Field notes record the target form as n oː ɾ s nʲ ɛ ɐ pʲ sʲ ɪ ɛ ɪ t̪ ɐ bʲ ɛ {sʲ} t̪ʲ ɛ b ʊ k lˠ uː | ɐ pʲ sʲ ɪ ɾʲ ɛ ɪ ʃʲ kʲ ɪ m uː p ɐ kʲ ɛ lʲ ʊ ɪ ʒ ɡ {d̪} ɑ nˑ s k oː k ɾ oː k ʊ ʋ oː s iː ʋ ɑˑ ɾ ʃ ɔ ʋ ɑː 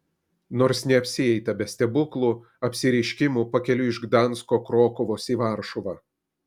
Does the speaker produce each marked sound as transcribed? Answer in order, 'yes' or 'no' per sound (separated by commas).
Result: yes, yes